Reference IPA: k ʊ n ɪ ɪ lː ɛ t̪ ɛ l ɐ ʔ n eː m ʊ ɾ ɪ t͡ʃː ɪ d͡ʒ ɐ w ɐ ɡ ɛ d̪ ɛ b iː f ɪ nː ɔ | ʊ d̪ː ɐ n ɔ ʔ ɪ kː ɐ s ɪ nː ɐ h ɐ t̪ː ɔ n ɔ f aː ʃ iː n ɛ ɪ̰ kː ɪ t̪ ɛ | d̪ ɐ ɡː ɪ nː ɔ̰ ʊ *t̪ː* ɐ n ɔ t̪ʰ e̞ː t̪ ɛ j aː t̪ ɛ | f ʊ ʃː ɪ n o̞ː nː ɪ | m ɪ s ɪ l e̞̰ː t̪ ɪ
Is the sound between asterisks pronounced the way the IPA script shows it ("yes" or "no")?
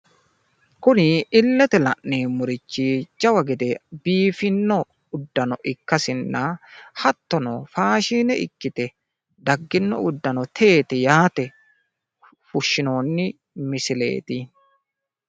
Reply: no